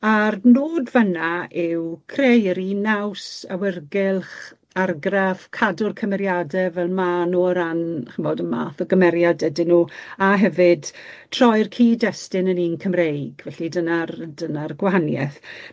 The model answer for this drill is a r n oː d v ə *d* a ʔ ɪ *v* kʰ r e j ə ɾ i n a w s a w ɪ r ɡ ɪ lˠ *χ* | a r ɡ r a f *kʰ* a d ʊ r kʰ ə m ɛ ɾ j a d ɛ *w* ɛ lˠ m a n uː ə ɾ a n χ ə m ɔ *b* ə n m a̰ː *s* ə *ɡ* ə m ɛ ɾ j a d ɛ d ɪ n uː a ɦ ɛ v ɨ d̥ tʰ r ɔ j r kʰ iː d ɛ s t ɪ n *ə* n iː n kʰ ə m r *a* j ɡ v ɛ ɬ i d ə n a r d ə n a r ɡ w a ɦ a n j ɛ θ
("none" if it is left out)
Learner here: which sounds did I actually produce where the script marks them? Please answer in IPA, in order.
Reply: n, w, χ, kʰ, v, d, θ, ɡ, ə, e

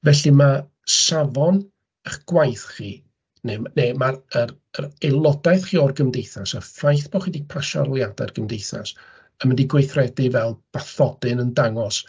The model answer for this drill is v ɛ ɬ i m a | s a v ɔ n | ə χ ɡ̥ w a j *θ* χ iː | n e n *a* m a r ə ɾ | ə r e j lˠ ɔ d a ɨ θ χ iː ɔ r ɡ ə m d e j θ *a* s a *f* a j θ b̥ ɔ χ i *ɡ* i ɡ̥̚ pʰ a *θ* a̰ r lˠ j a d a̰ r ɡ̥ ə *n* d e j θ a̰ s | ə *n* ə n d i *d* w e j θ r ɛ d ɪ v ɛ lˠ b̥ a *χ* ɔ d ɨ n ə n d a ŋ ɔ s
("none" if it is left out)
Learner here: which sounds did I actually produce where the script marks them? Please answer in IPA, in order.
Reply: θ, e, a, f, d, ʃ, m, m, ɡ, θ

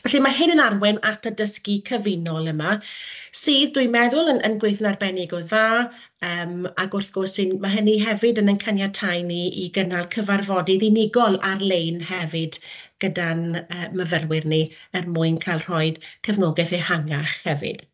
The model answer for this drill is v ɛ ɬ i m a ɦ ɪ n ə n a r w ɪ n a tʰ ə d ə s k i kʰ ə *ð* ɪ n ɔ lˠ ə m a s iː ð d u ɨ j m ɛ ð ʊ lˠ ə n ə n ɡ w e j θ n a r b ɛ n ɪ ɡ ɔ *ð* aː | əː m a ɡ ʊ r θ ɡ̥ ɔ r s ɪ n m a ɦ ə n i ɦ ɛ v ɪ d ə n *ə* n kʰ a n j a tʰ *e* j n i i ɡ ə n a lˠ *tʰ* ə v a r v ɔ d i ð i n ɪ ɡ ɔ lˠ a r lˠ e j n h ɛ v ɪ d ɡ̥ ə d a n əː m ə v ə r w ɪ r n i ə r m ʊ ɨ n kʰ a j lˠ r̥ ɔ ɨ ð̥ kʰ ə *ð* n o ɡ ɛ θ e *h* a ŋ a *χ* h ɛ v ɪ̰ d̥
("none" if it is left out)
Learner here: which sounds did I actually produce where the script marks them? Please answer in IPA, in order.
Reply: v, ð, ə, a, kʰ, v, h, χ

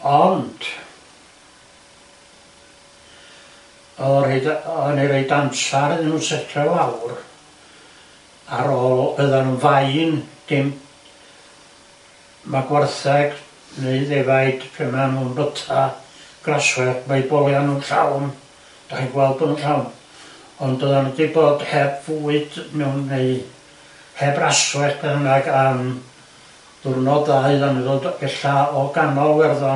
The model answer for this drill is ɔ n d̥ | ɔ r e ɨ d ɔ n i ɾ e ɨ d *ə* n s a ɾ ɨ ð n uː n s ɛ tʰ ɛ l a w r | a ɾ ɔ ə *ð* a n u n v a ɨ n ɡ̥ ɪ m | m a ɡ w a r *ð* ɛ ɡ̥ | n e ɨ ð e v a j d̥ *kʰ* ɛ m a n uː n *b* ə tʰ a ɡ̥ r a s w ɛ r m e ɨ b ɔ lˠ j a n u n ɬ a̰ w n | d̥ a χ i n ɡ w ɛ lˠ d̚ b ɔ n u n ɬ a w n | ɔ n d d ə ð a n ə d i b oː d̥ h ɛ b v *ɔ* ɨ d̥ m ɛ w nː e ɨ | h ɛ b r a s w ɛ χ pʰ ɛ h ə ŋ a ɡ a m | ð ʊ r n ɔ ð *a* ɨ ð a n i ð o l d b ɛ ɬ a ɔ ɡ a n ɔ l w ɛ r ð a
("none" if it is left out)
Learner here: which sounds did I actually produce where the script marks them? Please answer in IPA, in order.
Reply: a, ð, θ, pʰ, b, u, a

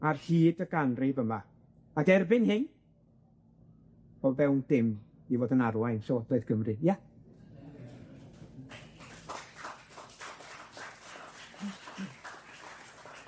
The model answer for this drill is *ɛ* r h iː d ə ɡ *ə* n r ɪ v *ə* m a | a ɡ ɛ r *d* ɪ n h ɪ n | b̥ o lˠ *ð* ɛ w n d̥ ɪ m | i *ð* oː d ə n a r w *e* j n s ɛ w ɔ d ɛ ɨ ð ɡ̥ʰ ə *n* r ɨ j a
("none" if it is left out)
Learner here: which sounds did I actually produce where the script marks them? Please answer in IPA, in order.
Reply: a, a, ə, b, v, v, a, m

